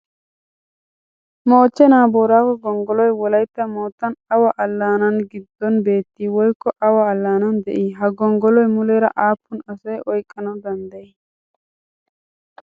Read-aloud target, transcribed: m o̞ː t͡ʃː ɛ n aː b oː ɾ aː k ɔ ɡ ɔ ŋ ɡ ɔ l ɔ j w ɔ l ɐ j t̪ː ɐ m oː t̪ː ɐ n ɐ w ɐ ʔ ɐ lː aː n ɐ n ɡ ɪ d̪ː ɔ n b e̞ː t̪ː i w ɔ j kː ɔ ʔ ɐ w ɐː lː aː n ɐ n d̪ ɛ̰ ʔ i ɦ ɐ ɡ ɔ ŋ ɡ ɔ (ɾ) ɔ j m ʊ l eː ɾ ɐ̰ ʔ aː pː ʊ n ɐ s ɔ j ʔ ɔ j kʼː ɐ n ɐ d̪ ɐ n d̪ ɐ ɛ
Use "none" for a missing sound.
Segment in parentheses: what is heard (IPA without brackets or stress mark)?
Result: l